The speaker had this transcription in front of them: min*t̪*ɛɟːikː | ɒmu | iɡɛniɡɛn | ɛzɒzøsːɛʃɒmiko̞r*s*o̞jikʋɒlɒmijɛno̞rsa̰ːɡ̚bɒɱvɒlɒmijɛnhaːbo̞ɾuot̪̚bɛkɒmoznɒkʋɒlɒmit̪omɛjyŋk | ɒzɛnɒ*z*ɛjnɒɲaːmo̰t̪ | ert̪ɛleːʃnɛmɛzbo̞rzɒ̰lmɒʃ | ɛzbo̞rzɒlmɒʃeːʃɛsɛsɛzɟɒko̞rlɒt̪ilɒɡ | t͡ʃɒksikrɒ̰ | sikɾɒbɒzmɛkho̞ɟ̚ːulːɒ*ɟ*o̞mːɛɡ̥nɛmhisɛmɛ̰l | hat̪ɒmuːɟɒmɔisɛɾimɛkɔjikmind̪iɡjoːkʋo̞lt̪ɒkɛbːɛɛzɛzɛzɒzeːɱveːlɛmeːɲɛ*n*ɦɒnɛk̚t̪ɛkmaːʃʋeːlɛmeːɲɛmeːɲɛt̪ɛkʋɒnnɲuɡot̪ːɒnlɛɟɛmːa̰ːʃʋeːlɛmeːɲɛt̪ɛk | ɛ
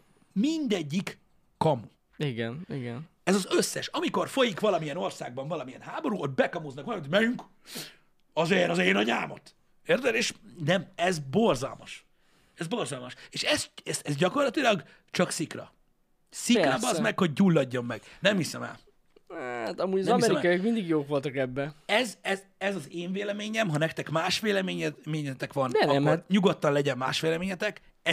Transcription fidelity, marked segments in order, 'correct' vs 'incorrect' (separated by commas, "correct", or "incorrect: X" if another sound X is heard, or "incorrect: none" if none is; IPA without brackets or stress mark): incorrect: d̪, incorrect: f, correct, incorrect: ɟː, incorrect: m